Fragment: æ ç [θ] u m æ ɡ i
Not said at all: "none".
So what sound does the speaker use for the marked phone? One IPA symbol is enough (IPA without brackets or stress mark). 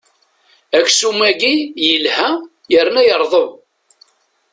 s